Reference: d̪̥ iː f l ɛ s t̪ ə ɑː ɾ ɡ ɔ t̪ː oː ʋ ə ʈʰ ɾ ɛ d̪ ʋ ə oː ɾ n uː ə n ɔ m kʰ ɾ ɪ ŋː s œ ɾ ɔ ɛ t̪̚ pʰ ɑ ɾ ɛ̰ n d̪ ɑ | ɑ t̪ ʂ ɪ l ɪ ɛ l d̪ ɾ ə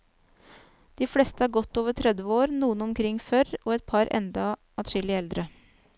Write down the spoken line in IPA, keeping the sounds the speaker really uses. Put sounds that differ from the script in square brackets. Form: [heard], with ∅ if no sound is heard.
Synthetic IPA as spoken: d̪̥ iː f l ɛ s t̪ ə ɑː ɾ ɡ ɔ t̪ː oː ʋ ə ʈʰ ɾ ɛ d̪ ʋ ə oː ɾ n uː ə n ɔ m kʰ ɾ ɪ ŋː [f] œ ɾ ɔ ɛ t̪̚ pʰ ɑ ɾ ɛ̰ n d̪ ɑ | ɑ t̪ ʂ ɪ l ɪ ɛ l d̪ ɾ ə